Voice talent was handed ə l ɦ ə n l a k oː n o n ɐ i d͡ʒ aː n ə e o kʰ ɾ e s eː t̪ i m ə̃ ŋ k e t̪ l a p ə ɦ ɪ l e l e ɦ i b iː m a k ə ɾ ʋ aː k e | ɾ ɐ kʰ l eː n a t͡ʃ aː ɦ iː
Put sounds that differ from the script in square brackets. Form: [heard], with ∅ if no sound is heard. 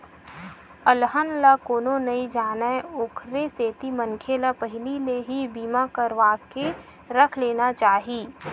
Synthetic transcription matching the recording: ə l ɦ ə n l a k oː n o n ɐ i d͡ʒ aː n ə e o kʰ ɾ e s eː t̪ i m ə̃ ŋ [kʰ] e [∅] l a p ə ɦ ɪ l [i] l e ɦ i b iː m a k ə ɾ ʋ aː k e | ɾ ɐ kʰ l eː n a t͡ʃ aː ɦ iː